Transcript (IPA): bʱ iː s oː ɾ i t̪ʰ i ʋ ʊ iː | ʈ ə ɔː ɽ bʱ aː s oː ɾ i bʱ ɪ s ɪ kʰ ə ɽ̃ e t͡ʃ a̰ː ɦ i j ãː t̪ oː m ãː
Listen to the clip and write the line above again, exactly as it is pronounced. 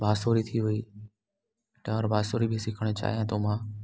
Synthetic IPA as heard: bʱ aː s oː ɾ i t̪ʰ i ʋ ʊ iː | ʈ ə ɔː ɾ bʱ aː s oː ɾ i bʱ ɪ s ɪ kʰ ə ɽ̃ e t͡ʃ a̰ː ɦ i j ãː t̪ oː m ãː